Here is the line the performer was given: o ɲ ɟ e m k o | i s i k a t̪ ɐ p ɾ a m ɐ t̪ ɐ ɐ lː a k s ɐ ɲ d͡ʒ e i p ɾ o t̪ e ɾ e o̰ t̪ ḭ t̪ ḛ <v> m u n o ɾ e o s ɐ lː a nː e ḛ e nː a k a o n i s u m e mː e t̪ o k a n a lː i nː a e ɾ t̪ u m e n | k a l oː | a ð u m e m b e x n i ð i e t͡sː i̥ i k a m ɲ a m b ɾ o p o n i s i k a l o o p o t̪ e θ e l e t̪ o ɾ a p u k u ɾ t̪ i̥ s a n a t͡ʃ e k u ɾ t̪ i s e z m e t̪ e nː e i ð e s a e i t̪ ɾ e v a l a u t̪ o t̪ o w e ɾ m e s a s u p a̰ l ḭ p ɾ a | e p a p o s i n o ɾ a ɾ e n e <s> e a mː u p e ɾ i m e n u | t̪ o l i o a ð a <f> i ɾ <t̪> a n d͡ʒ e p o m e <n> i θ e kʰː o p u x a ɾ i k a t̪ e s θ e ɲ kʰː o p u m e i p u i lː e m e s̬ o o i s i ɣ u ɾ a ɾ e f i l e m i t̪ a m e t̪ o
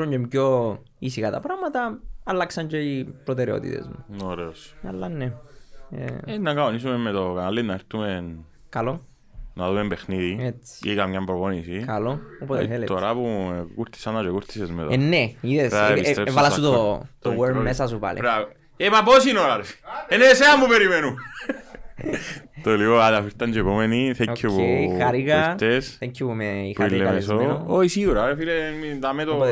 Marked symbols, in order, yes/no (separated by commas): no, yes, yes, yes, yes